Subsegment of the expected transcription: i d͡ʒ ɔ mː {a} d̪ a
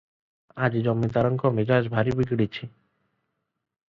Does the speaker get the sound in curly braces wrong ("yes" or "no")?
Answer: yes